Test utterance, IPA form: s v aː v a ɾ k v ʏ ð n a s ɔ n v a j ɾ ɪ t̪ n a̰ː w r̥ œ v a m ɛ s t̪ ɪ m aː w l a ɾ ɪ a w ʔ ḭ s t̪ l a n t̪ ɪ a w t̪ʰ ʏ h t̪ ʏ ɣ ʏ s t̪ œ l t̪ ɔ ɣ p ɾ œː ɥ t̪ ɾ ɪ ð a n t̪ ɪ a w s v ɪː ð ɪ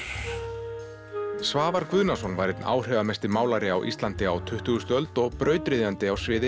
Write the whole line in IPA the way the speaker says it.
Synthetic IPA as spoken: s v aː v a ɾ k v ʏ ð n a s ɔ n v a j ɾ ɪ t̪ n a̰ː w r̥ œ v a m ɛ s t̪ ɪ m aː w l a ɾ ɪ a w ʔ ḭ s t̪ l a n t̪ ɪ a w t̪ʰ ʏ h t̪ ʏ ɣ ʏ s t̪ œ l t̪ ɔ ɣ p ɾ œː ɥ t̪ ɾ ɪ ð a n t̪ ɪ a w s v ɪː ð ɪ